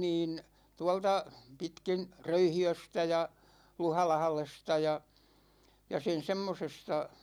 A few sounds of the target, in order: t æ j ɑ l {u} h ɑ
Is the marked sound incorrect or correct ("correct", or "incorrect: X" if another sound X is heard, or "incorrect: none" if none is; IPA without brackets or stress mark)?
correct